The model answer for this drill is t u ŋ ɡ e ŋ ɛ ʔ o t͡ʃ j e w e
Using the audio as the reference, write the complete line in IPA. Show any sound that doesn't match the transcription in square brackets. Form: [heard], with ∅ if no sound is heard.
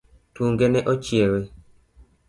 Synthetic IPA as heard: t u ŋ ɡ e [n] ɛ ʔ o t͡ʃ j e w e